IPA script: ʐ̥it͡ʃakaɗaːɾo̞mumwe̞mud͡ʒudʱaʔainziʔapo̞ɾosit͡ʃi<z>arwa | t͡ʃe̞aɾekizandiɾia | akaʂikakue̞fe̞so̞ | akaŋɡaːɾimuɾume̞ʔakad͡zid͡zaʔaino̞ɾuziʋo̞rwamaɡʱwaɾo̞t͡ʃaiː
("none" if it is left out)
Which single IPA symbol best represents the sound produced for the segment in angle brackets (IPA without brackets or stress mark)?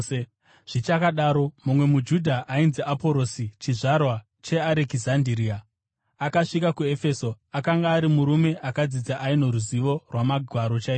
ʐ